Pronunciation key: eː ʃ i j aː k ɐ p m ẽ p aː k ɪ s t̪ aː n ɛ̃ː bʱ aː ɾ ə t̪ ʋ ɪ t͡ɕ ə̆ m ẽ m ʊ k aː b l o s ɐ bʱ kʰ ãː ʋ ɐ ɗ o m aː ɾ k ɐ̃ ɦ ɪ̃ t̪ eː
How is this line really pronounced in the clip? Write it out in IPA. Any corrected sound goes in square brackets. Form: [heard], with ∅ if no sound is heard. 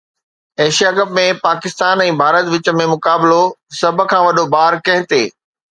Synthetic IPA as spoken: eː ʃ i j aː k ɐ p m ẽ p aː k ɪ s t̪ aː n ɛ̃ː bʱ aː ɾ ə t̪ ʋ ɪ t͡ɕ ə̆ m ẽ m ʊ k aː b l o s ɐ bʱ kʰ ãː ʋ ɐ ɗ o [b] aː ɾ k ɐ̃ ɦ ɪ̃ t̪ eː